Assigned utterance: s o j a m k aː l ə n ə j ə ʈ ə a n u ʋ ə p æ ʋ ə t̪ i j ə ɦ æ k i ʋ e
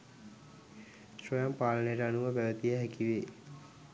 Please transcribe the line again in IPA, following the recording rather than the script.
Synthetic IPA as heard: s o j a m p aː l ə n ə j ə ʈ ə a n u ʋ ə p æ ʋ ə t̪ i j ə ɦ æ k i ʋ e